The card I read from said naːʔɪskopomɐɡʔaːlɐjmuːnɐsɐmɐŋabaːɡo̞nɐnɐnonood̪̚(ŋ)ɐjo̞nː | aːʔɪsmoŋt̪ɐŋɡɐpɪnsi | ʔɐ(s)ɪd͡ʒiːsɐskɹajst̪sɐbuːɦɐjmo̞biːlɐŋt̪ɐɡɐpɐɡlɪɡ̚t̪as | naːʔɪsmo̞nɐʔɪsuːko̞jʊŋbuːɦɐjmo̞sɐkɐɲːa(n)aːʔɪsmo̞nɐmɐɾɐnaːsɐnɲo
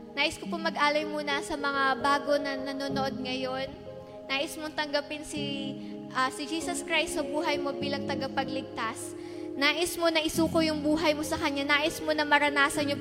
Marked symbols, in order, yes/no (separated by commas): yes, yes, yes